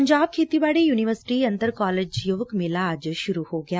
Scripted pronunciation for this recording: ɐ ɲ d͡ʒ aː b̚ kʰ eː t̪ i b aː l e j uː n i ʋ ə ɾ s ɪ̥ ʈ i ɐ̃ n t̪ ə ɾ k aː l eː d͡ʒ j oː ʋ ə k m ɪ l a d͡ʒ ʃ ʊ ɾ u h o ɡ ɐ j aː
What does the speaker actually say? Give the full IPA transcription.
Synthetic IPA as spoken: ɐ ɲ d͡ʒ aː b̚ kʰ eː t̪ i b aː ɽ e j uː n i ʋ ə ɾ s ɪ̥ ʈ i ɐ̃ n t̪ ə ɾ k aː l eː d͡ʒ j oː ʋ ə k m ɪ l a d͡ʒ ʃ ʊ ɾ u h o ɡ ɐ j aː